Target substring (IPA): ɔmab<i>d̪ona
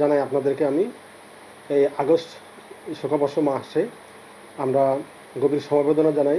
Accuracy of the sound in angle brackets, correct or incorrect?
incorrect